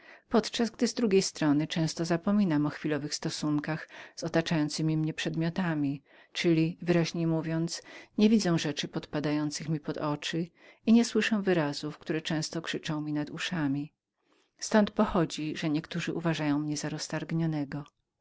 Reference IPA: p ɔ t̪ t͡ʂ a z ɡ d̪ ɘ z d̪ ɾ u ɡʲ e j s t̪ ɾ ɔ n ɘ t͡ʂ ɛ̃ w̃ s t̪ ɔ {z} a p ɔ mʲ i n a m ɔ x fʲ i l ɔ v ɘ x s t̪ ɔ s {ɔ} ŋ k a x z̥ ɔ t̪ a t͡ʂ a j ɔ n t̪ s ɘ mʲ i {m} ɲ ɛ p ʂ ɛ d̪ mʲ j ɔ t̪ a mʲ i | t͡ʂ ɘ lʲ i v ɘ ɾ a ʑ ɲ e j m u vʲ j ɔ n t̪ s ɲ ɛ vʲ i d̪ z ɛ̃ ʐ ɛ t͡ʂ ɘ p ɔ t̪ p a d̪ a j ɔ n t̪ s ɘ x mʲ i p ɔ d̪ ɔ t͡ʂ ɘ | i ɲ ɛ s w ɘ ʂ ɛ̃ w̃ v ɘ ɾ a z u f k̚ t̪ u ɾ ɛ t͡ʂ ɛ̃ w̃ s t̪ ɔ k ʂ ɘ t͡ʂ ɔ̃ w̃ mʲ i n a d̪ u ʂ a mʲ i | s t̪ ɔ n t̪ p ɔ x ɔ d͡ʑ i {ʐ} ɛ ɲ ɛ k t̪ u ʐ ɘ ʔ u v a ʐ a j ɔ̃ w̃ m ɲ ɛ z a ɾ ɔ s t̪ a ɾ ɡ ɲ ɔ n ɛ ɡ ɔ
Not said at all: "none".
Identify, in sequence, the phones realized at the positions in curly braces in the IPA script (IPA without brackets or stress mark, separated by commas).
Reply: z, u, m, ʐ